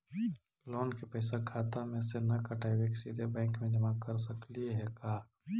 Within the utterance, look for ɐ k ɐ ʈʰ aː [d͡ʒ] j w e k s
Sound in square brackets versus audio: incorrect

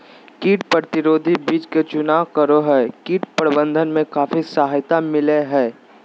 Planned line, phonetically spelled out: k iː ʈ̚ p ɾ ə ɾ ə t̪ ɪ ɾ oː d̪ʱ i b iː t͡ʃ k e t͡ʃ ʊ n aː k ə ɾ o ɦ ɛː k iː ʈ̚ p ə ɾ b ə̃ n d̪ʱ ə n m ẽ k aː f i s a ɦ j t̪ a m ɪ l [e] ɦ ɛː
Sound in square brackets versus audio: correct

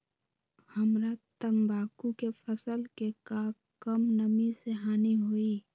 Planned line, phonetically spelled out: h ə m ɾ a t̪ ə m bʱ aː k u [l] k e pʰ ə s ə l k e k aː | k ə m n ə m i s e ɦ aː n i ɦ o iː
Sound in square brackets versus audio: incorrect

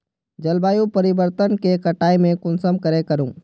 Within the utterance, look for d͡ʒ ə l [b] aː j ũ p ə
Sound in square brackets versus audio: correct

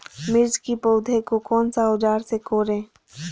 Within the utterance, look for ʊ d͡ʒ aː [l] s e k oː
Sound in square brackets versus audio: incorrect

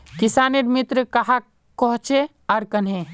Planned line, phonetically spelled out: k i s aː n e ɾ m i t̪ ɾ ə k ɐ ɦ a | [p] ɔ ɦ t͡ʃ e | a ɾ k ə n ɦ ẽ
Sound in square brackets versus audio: incorrect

